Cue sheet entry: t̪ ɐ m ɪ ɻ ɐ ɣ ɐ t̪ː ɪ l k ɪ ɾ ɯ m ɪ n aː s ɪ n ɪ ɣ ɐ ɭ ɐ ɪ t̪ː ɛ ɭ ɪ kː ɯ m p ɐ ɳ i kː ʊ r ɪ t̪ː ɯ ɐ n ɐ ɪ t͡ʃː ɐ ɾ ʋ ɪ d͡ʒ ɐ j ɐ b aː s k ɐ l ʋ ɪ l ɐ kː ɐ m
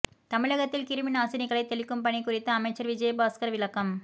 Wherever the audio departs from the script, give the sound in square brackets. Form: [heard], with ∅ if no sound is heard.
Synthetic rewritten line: t̪ ɐ m ɪ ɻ ɐ ɣ ɐ t̪ː ɪ l k ɪ ɾ ɯ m ɪ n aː s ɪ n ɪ ɣ ɐ ɭ ɐ ɪ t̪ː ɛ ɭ ɪ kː ɯ m p ɐ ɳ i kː ʊ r ɪ t̪ː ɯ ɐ [m] ɐ ɪ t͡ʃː ɐ ɾ ʋ ɪ d͡ʒ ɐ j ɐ b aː s k ɐ [ɾ] ʋ ɪ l ɐ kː ɐ m

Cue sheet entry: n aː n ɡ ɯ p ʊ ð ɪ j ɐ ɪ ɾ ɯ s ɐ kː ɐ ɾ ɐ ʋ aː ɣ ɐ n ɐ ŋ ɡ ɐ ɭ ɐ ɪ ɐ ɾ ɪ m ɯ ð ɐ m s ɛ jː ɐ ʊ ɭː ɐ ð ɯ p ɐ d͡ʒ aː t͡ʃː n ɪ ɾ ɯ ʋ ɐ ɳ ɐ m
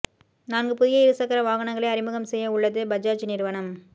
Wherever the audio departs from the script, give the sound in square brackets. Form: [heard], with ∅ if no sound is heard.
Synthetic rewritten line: n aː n ɡ ɯ p ʊ ð ɪ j ɐ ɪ ɾ ɯ s ɐ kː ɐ ɾ ɐ ʋ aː ɣ ɐ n ɐ ŋ ɡ ɐ ɭ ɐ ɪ ɐ ɾ ɪ m ɯ [ɣ] ɐ m s ɛ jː ɐ ʊ ɭː ɐ ð ɯ [b] ɐ d͡ʒ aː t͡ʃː n ɪ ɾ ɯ ʋ ɐ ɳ ɐ m

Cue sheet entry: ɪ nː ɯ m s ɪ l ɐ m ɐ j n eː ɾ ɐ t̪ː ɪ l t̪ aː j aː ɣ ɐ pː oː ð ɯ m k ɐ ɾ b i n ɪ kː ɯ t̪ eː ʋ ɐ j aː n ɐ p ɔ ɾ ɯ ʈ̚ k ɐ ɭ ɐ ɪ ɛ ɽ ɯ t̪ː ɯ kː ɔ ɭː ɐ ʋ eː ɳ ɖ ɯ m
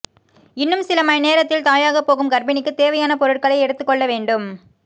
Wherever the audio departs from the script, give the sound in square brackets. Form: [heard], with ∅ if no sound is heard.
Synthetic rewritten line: ɪ nː ɯ m s ɪ l ɐ m ɐ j n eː ɾ ɐ t̪ː ɪ l t̪ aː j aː ɣ ɐ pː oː [ɣ] ɯ m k ɐ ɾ b [ɪ] n ɪ kː ɯ t̪ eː ʋ ɐ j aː n ɐ p ɔ ɾ ɯ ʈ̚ k ɐ ɭ ɐ ɪ ɛ ɽ ɯ t̪ː ɯ kː ɔ ɭː ɐ ʋ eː ɳ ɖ ɯ m

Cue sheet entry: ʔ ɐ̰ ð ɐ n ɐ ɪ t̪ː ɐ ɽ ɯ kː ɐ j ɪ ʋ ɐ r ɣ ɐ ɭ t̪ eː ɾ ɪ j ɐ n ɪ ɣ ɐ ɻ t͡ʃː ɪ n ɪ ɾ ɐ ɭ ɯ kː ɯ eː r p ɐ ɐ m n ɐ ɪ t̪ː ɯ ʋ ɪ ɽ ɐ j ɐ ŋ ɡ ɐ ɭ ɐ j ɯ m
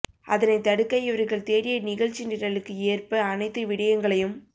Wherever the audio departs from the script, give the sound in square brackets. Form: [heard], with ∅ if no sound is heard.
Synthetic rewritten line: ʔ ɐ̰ ð ɐ n ɐ ɪ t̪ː ɐ ɽ ɯ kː ɐ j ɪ ʋ ɐ [ɾ] ɣ ɐ ɭ t̪ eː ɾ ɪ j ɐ n ɪ ɣ ɐ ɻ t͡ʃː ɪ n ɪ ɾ ɐ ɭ ɯ kː ɯ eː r p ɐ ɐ [∅] n ɐ ɪ t̪ː ɯ ʋ ɪ ɽ ɐ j ɐ ŋ ɡ ɐ ɭ ɐ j ɯ m

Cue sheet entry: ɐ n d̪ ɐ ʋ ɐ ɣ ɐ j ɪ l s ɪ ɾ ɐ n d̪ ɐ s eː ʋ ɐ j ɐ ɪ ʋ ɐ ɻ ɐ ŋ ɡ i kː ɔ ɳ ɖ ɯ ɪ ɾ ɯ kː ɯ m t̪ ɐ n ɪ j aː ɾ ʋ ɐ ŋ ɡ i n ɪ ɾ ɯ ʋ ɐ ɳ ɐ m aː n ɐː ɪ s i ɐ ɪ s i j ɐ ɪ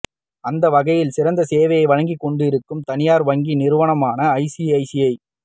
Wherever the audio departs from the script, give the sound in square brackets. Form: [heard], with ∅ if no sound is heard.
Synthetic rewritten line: ɐ n d̪ ɐ ʋ ɐ ɣ ɐ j ɪ l s ɪ ɾ ɐ n d̪ ɐ s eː ʋ ɐ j ɐ ɪ ʋ ɐ ɻ ɐ ŋ ɡ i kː ɔ ɳ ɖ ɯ ɪ ɾ ɯ kː ɯ m t̪ ɐ n ɪ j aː ɾ ʋ ɐ ŋ ɡ i n ɪ ɾ ɯ ʋ ɐ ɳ ɐ m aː n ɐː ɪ s i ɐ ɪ s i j ɐ ɪ

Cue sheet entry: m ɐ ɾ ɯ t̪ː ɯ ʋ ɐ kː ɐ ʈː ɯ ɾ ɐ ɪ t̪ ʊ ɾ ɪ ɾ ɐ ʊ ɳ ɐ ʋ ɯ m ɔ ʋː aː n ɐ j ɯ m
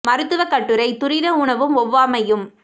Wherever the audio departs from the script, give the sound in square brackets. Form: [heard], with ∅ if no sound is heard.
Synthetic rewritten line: m ɐ ɾ ɯ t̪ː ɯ ʋ ɐ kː ɐ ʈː ɯ ɾ ɐ ɪ t̪ ʊ ɾ ɪ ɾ ɐ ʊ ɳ ɐ ʋ ɯ m ɔ ʋː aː [m] ɐ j ɯ m

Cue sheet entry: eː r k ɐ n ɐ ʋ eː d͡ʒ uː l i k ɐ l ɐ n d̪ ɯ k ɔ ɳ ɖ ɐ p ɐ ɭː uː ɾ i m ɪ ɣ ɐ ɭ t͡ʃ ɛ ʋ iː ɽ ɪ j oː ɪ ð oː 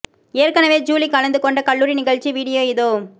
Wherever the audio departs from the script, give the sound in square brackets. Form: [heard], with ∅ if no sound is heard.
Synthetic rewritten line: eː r k ɐ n ɐ ʋ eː d͡ʒ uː l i k ɐ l ɐ n d̪ ɯ k ɔ ɳ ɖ ɐ [k] ɐ ɭː uː ɾ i [n] ɪ ɣ ɐ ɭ t͡ʃ [i] ʋ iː ɽ ɪ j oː ɪ ð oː

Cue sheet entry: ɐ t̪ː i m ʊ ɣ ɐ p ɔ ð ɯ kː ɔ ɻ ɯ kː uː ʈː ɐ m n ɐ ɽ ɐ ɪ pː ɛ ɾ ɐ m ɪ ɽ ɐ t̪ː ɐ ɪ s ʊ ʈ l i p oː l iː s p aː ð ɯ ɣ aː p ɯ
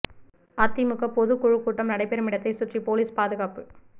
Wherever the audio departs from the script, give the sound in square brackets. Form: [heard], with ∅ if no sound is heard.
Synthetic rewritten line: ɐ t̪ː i m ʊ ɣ ɐ p ɔ ð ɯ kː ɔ ɻ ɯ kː uː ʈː ɐ m n ɐ ɽ ɐ ɪ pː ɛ ɾ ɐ m ɪ ɽ ɐ t̪ː ɐ ɪ s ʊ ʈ [r] i p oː l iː s p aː ð ɯ ɣ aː p ɯ

